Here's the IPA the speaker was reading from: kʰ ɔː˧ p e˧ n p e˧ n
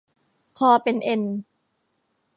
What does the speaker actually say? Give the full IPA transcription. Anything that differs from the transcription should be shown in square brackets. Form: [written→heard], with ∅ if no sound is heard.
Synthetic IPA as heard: kʰ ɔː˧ p e˧ n [p→ʔ] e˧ n